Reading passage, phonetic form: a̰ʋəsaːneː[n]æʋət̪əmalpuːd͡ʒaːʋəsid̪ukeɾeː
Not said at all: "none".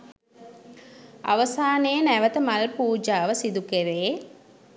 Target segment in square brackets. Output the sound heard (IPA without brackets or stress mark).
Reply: n